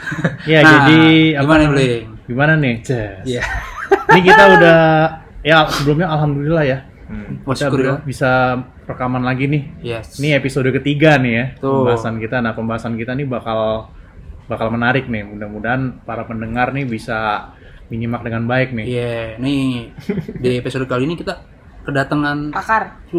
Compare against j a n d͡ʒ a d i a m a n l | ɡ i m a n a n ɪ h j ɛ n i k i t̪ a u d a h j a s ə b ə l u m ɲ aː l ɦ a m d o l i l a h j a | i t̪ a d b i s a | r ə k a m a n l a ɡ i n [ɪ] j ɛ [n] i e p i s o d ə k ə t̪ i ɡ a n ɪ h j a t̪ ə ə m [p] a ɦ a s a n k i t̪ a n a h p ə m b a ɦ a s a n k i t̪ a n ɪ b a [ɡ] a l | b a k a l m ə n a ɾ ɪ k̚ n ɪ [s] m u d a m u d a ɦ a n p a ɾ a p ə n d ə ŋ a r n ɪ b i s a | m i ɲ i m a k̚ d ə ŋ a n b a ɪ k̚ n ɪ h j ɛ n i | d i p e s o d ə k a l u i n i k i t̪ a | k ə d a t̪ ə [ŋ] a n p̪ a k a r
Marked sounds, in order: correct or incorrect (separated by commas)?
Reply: correct, correct, incorrect, incorrect, incorrect, correct